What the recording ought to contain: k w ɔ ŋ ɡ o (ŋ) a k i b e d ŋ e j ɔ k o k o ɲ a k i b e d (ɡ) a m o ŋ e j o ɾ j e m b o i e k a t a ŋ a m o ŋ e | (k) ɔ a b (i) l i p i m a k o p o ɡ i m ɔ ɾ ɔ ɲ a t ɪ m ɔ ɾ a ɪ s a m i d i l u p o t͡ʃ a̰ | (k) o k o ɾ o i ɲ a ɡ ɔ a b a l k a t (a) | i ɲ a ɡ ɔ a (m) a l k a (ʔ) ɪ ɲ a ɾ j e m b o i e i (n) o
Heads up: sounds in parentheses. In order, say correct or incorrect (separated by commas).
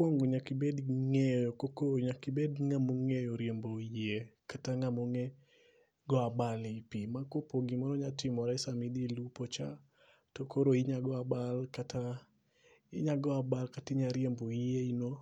incorrect, incorrect, incorrect, incorrect, incorrect, correct, incorrect, incorrect, correct